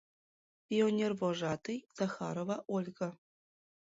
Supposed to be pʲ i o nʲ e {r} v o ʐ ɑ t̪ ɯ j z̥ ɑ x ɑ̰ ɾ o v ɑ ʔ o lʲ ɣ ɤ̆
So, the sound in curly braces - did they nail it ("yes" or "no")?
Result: yes